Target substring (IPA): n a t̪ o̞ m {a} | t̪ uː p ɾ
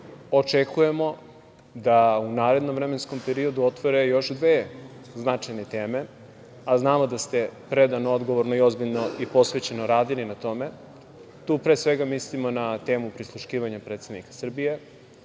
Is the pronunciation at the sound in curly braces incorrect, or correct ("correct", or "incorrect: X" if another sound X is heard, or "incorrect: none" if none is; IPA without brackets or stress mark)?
incorrect: e